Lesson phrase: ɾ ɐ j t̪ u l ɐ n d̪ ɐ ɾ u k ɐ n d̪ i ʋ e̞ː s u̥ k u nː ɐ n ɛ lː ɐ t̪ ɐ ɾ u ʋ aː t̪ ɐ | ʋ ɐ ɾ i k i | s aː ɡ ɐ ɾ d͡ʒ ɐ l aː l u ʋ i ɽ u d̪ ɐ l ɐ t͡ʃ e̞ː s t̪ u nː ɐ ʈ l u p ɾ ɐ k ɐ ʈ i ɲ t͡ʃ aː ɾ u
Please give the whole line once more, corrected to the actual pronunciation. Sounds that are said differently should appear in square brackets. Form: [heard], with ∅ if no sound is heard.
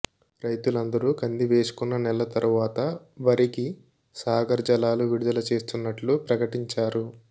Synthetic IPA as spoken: ɾ ɐ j t̪ u l ɐ n d̪ ɐ ɾ u k ɐ n d̪ i ʋ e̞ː s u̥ k u nː ɐ n ɛ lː ɐ t̪ ɐ ɾ u ʋ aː t̪ ɐ | ʋ ɐ ɾ i k i | s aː ɡ ɐ ɾ d͡ʒ ɐ l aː l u ʋ i ɽ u d̪ ɐ l ɐ t͡ʃ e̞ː s t̪ u nː ɐ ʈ l u p ɾ ɐ k ɐ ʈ i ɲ t͡ʃ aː ɾ u

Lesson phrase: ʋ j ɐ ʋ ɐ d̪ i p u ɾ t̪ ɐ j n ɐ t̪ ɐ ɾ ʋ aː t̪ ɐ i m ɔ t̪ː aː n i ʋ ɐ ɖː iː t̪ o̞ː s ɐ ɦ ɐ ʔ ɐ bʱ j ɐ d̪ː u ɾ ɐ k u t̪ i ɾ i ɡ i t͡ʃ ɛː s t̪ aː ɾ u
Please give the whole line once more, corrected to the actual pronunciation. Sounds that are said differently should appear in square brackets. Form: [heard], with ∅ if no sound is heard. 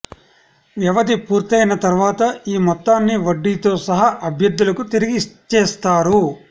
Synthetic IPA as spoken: ʋ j ɐ ʋ ɐ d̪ i p [uː] ɾ t̪ ɐ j n ɐ t̪ ɐ ɾ ʋ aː t̪ ɐ [iː] m ɔ t̪ː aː [nː] i ʋ ɐ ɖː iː t̪ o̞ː s ɐ ɦ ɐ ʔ ɐ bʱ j ɐ d̪ː u [l] ɐ k u t̪ i ɾ i ɡ i t͡ʃ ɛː s t̪ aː ɾ u

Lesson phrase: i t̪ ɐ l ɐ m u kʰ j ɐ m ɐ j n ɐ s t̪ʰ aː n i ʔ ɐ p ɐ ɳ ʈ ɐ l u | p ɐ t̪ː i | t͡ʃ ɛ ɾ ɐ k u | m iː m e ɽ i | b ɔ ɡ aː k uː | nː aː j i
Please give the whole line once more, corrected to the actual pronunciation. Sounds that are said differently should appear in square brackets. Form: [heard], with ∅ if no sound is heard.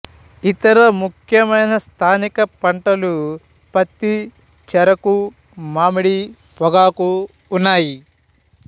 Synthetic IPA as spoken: i t̪ ɐ [ɾ] ɐ m u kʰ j ɐ m ɐ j n ɐ s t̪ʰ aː n i [k] ɐ p ɐ ɳ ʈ ɐ l u | p ɐ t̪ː i | t͡ʃ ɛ ɾ ɐ k u | m [aː] m [i] ɽ i | [p] ɔ ɡ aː k uː | nː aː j i

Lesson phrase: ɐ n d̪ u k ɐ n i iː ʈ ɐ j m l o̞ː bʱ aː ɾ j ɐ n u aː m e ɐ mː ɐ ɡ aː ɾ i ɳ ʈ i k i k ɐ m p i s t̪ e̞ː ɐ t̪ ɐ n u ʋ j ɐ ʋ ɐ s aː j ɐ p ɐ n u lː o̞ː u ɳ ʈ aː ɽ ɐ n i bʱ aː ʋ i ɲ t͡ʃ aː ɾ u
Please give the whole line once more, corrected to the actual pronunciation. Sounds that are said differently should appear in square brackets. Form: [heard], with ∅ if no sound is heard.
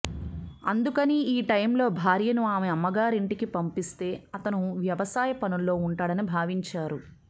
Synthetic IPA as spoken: ɐ n d̪ u k ɐ n i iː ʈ ɐ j m l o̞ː bʱ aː ɾ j ɐ n u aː m e ɐ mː ɐ ɡ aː ɾ i ɳ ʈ i k i [p] ɐ m p i s t̪ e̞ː ɐ t̪ ɐ n u ʋ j ɐ ʋ ɐ s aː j ɐ p ɐ n u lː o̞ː u ɳ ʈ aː ɽ ɐ n i bʱ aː ʋ i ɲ t͡ʃ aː ɾ u

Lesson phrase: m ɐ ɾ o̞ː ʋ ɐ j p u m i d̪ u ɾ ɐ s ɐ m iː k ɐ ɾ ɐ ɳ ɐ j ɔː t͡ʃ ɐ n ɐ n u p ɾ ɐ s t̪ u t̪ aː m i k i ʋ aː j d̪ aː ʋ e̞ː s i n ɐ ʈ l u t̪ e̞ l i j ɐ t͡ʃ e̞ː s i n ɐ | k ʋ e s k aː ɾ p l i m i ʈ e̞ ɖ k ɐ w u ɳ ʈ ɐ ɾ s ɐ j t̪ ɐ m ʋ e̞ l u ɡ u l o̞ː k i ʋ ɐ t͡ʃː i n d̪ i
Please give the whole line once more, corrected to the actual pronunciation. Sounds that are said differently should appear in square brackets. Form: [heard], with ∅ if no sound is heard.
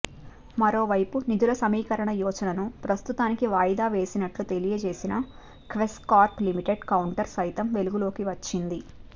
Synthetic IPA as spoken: m ɐ ɾ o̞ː ʋ ɐ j p u [n] i d̪ u [l] ɐ s ɐ m iː k ɐ ɾ ɐ ɳ ɐ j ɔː t͡ʃ ɐ n ɐ n u p ɾ ɐ s t̪ u t̪ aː [n] i k i ʋ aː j d̪ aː ʋ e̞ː s i n ɐ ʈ l u t̪ e̞ l i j ɐ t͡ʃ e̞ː s i n ɐ | k ʋ e s k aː ɾ p l i m i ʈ e̞ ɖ k ɐ w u ɳ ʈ ɐ ɾ s ɐ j t̪ ɐ m ʋ e̞ l u ɡ u l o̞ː k i ʋ ɐ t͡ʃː i n d̪ i

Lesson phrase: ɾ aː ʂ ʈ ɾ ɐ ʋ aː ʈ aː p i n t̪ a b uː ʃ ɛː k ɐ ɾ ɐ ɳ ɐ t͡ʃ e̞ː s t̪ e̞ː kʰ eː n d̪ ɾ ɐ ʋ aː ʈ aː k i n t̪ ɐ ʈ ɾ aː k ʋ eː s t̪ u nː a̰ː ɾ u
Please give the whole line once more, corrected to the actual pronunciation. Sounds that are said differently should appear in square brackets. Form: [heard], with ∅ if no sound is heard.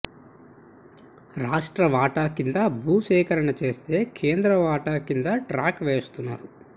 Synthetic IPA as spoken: ɾ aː ʂ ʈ ɾ ɐ ʋ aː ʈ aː [k] i n [d̪] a b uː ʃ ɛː k ɐ ɾ ɐ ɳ ɐ t͡ʃ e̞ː s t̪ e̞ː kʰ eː n d̪ ɾ ɐ ʋ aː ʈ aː k i n [d̪] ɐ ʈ ɾ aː k ʋ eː s t̪ u nː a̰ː ɾ u

